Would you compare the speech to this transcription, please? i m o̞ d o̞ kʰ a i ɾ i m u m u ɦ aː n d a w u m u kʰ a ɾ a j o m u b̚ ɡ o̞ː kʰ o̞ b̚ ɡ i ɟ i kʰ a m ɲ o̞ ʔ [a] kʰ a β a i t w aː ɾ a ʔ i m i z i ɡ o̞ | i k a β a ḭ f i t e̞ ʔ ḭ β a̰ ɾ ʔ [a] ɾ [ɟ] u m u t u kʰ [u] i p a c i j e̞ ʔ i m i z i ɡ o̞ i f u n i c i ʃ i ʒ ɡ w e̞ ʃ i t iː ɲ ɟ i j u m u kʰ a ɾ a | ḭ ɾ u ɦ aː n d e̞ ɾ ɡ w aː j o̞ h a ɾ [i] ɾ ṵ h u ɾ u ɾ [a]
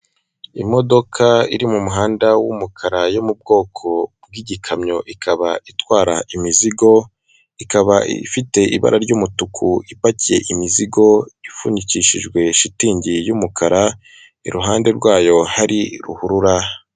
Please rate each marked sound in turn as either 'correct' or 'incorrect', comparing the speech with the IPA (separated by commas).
incorrect, correct, correct, correct, correct, correct